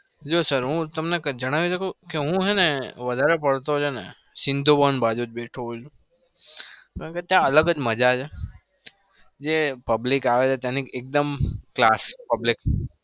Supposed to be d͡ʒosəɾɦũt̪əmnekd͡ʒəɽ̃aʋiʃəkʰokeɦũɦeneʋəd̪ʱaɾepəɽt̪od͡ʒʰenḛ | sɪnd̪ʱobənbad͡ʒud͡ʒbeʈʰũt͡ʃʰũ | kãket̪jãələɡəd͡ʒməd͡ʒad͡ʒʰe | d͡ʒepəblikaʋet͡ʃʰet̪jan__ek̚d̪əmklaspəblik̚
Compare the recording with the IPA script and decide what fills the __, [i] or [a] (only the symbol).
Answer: i